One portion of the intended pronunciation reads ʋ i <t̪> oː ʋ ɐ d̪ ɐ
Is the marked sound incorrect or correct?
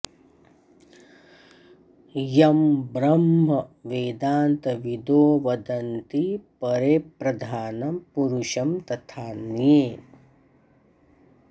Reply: incorrect